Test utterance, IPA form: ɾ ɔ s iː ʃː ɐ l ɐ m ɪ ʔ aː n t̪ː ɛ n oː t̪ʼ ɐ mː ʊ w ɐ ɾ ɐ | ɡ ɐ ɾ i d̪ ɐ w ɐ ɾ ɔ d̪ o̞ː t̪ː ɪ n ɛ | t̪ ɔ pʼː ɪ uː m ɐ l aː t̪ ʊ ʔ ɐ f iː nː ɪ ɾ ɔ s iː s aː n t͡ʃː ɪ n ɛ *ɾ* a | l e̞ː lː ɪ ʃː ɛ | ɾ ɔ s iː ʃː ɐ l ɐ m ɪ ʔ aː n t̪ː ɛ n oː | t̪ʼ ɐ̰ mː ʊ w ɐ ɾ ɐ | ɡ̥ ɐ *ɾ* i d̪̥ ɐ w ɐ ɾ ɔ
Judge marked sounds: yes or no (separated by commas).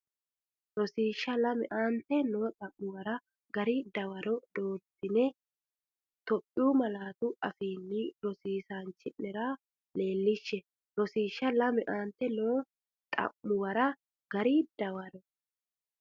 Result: yes, yes